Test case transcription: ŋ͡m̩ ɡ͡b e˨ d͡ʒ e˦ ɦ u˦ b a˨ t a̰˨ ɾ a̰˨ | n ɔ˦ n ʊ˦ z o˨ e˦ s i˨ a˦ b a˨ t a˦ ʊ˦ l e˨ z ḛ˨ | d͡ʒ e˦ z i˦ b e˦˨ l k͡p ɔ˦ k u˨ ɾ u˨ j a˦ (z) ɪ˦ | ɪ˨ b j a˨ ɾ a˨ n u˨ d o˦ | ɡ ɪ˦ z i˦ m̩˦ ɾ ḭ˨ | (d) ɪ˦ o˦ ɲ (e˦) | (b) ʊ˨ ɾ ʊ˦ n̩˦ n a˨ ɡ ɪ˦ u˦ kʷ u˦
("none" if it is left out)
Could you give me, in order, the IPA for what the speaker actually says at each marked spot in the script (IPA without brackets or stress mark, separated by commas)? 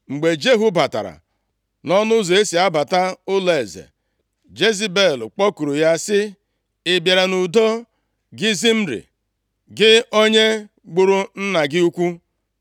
s, ɡ, e˦, ɡ͡b